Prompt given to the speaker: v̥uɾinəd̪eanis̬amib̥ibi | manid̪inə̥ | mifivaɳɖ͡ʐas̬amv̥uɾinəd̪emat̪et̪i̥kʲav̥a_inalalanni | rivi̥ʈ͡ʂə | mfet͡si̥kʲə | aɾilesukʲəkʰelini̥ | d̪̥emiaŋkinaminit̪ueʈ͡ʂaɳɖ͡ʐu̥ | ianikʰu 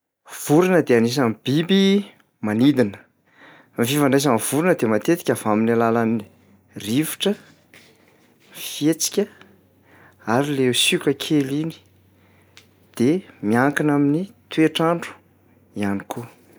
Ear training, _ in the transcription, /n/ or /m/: m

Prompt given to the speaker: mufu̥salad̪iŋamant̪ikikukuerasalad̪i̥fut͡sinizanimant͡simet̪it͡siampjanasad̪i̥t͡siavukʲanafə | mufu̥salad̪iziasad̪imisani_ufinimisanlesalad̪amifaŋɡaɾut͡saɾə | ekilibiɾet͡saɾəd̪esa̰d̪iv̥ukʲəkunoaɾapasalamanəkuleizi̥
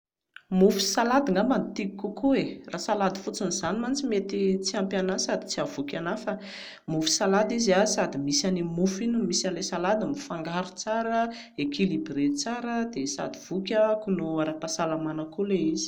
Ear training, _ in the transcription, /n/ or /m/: m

